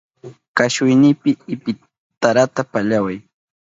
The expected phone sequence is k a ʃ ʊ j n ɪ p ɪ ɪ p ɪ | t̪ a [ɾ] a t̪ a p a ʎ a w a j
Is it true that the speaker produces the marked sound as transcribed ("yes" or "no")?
yes